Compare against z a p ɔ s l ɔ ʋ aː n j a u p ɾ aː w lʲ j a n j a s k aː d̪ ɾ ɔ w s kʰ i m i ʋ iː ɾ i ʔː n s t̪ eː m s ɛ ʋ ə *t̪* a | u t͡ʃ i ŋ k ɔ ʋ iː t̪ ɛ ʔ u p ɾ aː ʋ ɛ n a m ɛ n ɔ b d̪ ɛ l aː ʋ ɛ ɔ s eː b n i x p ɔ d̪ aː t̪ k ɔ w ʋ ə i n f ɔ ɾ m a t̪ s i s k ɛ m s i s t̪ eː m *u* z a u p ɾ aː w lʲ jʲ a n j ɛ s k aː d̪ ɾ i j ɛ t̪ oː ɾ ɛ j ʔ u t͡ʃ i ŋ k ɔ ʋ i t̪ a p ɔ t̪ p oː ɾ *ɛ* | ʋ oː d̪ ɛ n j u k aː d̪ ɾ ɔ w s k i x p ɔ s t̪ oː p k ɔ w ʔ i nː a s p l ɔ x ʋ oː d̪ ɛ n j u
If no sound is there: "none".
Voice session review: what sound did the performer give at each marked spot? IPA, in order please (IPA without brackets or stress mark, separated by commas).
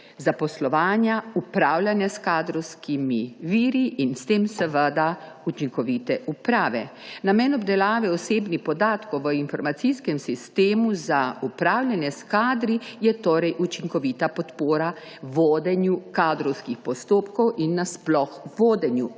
d̪, u, a